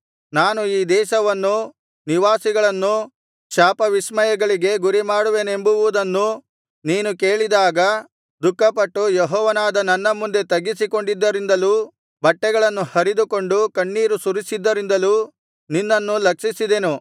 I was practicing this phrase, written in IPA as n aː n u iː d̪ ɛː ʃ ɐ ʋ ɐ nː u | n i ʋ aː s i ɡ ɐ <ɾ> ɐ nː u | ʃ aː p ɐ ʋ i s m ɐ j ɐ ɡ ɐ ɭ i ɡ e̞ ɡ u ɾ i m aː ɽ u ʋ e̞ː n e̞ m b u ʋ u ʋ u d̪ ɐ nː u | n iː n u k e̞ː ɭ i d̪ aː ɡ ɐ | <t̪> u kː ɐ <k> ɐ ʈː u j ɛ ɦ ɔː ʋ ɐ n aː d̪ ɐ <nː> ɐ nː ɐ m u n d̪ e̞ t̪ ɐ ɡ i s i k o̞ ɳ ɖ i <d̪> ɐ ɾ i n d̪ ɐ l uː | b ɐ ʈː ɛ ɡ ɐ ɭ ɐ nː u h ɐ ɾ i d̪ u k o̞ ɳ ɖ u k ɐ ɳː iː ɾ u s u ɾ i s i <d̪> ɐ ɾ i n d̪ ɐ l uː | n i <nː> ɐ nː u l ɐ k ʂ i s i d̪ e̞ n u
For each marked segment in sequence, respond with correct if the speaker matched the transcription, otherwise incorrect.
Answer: incorrect: ɭ, incorrect: d̪, incorrect: p, incorrect: n, incorrect: d̪ː, incorrect: d̪ː, correct

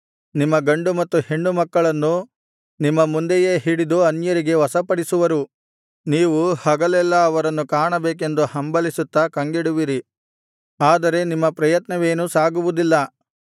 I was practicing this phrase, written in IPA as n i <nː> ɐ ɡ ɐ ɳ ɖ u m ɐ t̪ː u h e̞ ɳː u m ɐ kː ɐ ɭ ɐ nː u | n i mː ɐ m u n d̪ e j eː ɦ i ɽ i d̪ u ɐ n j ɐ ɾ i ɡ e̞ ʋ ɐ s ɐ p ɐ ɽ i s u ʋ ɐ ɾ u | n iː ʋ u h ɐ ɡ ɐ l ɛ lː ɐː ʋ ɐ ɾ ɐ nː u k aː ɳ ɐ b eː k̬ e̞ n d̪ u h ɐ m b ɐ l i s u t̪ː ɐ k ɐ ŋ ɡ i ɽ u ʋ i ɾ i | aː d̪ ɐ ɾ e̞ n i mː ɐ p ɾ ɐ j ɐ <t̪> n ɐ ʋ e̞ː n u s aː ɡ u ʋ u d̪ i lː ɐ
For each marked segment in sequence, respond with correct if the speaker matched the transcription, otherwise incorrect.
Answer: incorrect: mː, correct

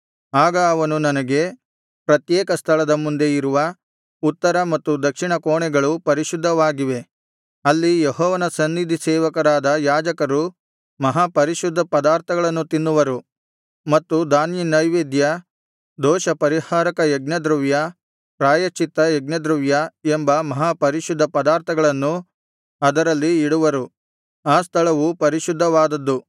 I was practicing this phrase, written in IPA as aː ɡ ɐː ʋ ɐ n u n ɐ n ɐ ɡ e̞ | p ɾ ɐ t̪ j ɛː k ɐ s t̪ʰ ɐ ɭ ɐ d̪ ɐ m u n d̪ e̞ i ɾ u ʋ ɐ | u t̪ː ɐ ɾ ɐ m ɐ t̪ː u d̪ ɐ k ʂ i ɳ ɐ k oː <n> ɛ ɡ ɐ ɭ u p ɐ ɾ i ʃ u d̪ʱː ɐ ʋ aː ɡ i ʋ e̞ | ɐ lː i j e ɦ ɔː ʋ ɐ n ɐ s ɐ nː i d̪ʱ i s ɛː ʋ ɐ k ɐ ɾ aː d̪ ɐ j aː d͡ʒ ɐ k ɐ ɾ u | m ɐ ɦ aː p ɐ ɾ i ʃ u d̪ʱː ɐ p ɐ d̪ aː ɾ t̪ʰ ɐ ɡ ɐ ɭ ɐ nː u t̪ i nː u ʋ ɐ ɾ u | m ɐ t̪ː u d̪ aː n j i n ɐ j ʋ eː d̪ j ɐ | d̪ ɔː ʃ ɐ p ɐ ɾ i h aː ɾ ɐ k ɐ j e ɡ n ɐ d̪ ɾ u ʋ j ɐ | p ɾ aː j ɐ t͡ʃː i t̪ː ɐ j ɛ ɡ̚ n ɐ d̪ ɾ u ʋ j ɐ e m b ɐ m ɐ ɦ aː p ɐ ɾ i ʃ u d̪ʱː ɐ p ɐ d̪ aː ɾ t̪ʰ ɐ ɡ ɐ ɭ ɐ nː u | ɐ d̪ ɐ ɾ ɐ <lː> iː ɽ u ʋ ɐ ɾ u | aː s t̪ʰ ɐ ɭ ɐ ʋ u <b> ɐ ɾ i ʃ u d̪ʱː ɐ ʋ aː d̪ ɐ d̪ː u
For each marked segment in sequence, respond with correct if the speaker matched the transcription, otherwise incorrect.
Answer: incorrect: ɳ, correct, incorrect: p

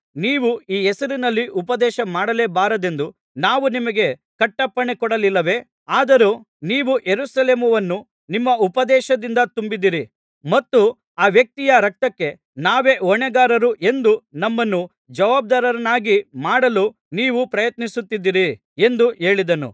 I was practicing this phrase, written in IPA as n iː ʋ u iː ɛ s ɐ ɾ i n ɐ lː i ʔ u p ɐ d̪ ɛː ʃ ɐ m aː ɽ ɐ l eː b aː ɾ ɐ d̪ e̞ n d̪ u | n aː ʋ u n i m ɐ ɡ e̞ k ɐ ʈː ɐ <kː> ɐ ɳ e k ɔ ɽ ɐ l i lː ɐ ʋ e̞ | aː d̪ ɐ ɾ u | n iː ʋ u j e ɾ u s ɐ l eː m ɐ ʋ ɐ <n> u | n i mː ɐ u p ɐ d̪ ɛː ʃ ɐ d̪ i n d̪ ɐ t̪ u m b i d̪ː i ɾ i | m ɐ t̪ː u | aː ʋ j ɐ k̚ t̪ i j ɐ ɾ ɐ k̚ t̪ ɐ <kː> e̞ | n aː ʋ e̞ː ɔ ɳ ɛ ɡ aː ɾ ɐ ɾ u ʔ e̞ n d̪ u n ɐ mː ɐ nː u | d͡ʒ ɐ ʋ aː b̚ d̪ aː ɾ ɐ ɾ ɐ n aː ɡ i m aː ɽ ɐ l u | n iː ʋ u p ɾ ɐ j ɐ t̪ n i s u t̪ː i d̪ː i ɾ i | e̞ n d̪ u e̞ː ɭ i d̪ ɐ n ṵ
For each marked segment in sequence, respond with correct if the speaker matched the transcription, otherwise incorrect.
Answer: incorrect: pː, incorrect: nː, correct

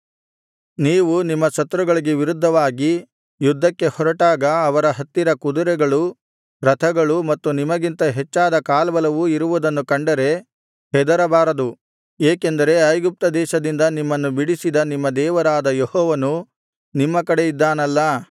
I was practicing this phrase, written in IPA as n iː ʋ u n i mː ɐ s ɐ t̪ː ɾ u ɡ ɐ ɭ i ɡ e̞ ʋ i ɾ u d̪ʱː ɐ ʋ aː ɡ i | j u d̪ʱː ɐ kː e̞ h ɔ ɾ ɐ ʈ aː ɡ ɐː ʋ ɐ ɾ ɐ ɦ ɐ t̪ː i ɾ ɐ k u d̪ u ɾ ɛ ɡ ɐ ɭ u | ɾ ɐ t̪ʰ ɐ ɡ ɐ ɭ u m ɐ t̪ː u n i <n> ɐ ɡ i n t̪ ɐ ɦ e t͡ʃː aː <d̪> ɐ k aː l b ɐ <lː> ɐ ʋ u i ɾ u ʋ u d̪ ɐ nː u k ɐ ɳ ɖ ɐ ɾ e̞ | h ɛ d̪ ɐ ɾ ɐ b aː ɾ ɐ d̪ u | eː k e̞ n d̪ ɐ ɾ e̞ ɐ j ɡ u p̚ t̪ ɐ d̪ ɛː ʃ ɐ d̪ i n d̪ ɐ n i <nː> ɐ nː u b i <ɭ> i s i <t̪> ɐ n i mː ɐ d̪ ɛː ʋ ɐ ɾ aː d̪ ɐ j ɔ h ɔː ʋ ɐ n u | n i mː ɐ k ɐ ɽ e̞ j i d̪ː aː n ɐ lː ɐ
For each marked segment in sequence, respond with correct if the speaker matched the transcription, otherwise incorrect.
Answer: incorrect: m, correct, incorrect: l, incorrect: mː, incorrect: ɽ, incorrect: d̪

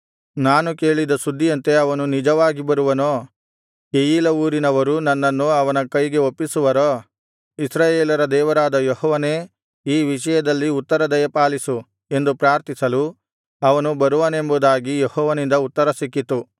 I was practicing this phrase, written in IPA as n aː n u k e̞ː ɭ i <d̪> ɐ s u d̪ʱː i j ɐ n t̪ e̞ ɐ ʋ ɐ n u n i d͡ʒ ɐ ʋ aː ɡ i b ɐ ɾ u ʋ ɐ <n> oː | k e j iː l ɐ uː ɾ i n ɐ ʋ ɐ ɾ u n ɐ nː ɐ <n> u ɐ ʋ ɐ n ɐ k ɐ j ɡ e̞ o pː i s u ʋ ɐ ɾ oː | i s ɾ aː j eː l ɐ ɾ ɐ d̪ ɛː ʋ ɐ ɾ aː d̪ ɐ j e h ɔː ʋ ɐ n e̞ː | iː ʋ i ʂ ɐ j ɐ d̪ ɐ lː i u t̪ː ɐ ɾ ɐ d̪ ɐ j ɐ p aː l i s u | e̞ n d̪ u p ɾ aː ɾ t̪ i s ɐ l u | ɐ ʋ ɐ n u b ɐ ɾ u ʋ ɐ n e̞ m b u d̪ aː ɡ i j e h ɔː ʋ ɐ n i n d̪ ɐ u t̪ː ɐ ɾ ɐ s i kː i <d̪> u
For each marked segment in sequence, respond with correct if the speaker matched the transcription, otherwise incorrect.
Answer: correct, correct, incorrect: nː, incorrect: t̪

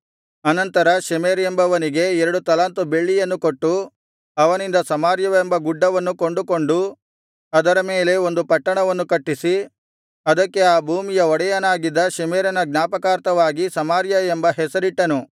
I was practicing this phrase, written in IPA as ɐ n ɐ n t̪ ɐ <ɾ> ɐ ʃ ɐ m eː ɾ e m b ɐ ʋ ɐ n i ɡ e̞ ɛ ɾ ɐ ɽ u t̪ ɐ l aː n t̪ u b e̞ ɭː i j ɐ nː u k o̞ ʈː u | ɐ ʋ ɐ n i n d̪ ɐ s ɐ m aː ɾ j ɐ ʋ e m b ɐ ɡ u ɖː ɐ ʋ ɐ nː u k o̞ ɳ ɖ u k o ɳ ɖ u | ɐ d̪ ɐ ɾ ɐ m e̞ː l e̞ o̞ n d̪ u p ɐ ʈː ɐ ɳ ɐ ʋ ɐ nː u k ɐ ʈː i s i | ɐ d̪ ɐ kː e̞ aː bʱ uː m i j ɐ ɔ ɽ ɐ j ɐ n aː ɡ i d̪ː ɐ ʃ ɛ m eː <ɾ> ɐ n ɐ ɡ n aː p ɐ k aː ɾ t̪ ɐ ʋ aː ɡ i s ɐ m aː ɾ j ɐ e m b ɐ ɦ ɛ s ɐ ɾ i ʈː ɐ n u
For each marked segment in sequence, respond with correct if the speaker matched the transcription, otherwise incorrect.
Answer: correct, correct

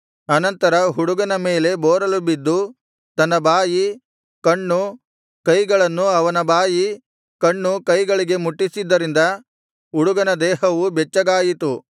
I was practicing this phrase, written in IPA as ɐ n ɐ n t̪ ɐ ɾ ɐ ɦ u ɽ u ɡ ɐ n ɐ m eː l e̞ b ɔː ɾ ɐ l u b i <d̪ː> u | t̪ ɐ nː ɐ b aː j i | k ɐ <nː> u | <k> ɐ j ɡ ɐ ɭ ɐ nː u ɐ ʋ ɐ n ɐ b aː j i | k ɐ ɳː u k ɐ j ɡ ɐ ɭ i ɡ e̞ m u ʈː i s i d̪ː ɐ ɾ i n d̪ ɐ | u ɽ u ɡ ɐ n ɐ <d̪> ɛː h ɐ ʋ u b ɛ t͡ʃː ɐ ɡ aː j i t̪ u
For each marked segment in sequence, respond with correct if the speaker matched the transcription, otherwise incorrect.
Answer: correct, incorrect: ɳː, correct, correct

